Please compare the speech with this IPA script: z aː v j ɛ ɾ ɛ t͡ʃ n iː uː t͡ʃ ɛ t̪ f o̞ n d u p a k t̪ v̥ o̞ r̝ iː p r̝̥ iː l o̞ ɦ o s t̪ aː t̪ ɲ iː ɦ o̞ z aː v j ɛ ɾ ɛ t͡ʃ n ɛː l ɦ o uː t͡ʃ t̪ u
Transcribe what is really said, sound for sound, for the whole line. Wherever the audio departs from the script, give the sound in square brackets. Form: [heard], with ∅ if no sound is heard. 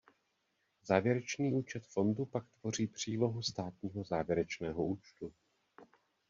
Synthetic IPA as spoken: z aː v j ɛ ɾ ɛ t͡ʃ n iː uː t͡ʃ ɛ t̪ f o̞ n d u p a k t̪ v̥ o̞ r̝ iː p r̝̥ iː l o̞ ɦ [u] s t̪ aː t̪ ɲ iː ɦ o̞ z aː v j ɛ ɾ ɛ t͡ʃ n ɛː [∅] ɦ o uː t͡ʃ t̪ u